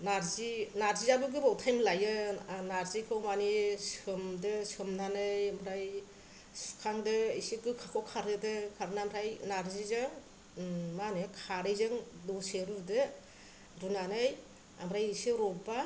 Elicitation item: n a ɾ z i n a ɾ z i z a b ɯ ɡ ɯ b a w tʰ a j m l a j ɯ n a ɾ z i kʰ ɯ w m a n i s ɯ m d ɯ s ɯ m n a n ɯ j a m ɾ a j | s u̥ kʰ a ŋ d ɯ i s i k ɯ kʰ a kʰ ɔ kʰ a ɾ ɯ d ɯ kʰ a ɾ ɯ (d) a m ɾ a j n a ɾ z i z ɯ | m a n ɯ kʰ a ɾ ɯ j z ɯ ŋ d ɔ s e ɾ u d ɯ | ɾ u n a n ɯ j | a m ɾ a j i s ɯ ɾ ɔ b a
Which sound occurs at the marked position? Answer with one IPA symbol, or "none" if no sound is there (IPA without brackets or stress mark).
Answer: n